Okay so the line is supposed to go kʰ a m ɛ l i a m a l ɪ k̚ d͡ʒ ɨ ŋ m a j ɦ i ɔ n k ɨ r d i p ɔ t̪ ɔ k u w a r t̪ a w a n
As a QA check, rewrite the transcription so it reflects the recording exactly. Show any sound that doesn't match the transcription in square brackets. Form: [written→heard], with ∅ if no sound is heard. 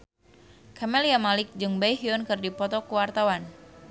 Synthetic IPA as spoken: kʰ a m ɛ l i a m a l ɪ k̚ d͡ʒ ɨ ŋ [m→b] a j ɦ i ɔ n k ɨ r d i p ɔ t̪ ɔ k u w a r t̪ a w a n